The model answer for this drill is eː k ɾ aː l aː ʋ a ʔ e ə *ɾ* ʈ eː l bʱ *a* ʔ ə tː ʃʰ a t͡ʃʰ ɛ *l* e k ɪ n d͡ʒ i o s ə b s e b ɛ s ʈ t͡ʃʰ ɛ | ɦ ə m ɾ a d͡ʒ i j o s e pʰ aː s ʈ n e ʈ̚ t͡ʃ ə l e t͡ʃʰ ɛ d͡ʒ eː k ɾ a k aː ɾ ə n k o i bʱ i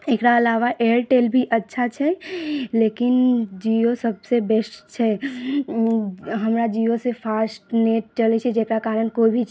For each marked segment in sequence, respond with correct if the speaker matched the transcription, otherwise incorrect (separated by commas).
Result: correct, incorrect, correct